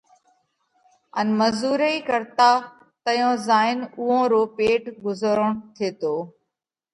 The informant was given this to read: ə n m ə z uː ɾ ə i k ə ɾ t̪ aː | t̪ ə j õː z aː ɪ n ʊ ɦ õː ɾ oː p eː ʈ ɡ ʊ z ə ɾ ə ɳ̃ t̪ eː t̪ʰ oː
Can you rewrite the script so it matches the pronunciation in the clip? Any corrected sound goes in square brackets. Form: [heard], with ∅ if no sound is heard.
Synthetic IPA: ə n m ə z uː ɾ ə i k ə ɾ t̪ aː | t̪ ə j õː z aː ɪ n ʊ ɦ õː ɾ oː p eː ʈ ɡ ʊ z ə ɾ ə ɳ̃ [t̪ʰ] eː [t̪] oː